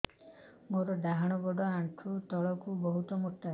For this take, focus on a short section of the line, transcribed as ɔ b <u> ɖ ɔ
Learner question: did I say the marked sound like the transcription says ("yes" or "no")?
no